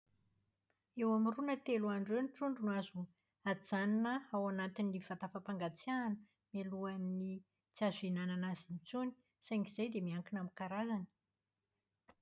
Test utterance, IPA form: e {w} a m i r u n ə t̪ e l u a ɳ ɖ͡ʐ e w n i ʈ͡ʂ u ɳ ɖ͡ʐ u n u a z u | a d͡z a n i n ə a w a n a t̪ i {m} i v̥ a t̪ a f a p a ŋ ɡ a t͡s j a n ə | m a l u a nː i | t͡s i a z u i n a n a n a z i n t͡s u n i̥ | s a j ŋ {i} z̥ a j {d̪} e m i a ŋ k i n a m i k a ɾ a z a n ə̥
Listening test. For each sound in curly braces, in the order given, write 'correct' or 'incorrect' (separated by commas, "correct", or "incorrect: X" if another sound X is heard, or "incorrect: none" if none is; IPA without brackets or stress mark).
correct, incorrect: n, correct, correct